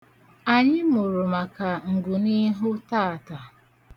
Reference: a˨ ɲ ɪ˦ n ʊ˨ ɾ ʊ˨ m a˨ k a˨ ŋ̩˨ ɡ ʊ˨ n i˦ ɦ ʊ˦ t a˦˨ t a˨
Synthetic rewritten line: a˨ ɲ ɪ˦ m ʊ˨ ɾ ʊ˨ m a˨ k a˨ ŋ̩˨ ɡ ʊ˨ n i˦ ɦ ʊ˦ t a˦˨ t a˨

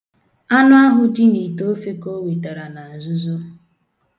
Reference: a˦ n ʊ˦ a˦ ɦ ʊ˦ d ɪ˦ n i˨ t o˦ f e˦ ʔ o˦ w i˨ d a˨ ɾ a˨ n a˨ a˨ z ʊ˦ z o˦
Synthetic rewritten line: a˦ n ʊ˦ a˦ ɦ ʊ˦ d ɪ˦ n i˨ t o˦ f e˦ k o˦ w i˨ t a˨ ɾ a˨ n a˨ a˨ z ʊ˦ z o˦

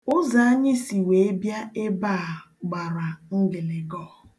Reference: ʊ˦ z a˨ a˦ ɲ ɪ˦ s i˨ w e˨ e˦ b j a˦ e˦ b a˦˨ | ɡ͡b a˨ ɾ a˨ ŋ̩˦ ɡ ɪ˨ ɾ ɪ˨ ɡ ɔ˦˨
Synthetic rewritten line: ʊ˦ z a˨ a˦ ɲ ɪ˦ s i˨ w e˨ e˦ b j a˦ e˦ b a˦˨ | ɡ͡b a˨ ɾ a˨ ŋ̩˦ ɡ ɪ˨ l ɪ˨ ɡ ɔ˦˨

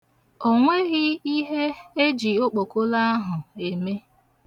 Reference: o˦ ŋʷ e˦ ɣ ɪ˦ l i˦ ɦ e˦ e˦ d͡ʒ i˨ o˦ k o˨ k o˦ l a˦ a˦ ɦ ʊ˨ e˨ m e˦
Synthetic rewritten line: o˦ ŋʷ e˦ ɣ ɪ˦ i˦ ɦ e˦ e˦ d͡ʒ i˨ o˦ k͡p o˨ k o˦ l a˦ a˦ ɦ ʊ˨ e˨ m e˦

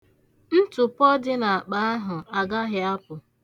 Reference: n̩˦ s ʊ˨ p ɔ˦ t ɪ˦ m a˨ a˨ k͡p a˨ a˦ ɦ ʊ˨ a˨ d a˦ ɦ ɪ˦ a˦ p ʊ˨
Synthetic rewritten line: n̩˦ t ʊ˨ p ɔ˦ d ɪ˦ n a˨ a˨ k͡p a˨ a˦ ɦ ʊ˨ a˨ ɡ a˦ ɦ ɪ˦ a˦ p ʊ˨

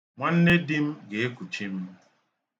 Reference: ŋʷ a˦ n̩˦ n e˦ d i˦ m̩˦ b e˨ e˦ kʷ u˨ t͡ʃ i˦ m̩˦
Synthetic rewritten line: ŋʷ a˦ n̩˦ n e˦ d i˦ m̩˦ ɡ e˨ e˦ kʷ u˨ t͡ʃ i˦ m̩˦

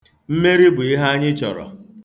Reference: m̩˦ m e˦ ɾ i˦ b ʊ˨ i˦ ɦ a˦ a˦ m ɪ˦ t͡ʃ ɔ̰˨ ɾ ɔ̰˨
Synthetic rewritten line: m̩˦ m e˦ ɾ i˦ b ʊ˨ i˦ ɦ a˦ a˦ ɲ ɪ˦ t͡ʃ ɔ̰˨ ɾ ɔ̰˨

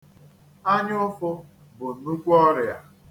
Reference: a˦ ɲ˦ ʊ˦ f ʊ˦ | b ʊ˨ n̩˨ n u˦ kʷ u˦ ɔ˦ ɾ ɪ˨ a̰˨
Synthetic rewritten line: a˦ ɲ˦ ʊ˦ f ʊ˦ | b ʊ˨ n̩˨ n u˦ kʷ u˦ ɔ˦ ɾ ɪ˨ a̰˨

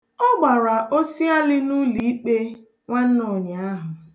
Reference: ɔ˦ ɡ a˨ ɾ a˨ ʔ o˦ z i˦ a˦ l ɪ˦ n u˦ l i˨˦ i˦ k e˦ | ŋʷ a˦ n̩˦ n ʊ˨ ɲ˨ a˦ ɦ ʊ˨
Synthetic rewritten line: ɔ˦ ɡ͡b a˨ ɾ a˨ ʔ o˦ s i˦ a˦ l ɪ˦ n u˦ l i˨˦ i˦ k͡p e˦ | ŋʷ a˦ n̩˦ n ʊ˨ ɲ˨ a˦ ɦ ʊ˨

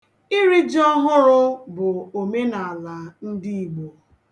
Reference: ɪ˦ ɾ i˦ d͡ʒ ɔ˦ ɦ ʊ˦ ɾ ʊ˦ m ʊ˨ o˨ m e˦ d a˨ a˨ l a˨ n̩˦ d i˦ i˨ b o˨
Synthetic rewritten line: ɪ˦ ɾ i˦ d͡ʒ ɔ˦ ɦ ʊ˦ ɾ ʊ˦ b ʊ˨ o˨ m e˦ n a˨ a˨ l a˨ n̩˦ d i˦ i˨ ɡ͡b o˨

